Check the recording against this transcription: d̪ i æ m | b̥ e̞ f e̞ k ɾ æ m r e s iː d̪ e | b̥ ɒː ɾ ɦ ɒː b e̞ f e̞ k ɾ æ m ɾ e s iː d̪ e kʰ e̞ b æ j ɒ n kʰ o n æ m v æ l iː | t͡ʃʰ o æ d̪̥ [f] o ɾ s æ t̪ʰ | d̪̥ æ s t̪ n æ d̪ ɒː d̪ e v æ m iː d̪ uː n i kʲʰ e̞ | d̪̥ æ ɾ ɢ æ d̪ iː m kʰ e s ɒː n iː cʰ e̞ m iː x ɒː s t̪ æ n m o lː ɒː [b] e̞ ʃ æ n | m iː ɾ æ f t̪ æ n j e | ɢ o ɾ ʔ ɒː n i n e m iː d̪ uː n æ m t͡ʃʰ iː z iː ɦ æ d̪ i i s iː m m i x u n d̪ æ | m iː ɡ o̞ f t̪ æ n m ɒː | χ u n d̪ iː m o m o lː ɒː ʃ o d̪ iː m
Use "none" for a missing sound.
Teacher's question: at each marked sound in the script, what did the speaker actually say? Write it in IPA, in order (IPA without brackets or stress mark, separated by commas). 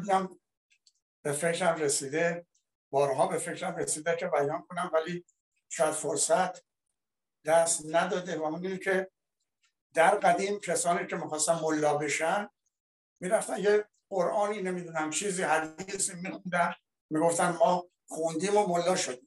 f, b